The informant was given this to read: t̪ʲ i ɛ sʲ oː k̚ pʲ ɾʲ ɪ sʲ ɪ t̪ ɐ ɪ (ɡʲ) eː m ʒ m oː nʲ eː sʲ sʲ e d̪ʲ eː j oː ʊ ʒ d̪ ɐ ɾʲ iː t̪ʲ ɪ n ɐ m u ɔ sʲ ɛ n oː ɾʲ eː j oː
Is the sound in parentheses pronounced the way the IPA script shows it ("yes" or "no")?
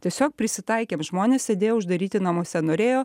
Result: no